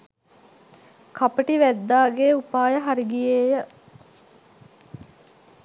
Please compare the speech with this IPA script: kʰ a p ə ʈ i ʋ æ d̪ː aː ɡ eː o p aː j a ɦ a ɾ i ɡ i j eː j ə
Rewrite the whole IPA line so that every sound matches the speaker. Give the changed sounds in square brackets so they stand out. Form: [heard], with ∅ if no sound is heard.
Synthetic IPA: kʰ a p ə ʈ i ʋ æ d̪ː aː ɡ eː [u] p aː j [ə] ɦ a ɾ i ɡ i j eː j ə